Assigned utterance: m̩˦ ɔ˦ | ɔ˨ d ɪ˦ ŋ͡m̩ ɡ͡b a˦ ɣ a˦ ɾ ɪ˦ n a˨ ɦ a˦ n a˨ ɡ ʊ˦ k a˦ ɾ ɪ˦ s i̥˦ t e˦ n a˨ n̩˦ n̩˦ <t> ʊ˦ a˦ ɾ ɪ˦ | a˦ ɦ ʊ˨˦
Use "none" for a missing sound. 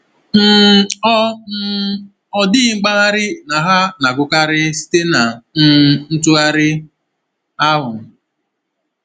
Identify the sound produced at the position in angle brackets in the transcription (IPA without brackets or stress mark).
t